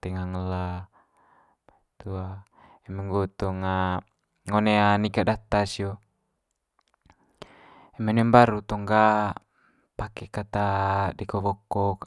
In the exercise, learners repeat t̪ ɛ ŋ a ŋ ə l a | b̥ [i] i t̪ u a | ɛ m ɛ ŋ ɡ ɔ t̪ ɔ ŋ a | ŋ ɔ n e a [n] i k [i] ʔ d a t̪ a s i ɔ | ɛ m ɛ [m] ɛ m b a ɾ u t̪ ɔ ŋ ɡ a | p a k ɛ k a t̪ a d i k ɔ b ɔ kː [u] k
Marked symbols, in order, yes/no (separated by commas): no, yes, no, no, no